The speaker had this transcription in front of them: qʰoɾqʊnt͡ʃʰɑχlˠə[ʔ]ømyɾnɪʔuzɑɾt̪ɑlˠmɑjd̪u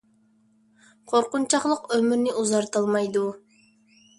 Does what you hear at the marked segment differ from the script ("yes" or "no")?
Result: yes